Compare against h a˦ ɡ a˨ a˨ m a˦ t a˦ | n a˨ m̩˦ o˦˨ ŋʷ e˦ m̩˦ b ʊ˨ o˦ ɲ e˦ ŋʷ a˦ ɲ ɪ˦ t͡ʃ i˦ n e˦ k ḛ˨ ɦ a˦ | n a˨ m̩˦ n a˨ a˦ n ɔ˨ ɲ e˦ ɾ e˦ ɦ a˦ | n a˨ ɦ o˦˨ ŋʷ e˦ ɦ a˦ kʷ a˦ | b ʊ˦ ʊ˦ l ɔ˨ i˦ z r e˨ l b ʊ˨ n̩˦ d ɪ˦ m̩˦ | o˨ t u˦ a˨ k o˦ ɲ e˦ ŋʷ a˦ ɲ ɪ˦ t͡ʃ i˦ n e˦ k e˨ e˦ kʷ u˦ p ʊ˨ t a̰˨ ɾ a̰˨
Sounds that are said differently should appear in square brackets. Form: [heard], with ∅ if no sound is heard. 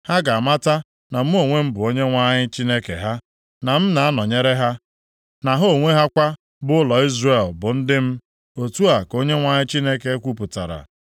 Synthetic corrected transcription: h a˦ ɡ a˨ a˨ m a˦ t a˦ | n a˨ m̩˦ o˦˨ ŋʷ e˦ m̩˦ b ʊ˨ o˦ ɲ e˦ ŋʷ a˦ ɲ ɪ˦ t͡ʃ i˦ n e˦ k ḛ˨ ɦ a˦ | n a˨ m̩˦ n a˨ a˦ n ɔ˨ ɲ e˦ ɾ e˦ ɦ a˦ | n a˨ ɦ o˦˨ ŋʷ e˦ ɦ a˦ kʷ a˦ | b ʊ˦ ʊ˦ l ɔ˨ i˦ z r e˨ l b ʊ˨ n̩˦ d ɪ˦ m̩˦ | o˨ t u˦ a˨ k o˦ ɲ e˦ ŋʷ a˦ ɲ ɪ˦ t͡ʃ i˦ n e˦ k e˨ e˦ kʷ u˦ p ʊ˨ t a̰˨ ɾ a̰˨